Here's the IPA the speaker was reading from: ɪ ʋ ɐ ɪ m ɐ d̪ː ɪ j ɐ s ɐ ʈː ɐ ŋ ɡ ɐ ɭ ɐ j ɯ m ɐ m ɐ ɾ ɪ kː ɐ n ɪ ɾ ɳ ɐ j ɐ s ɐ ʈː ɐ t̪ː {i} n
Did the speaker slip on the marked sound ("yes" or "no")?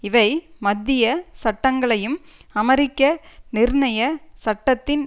yes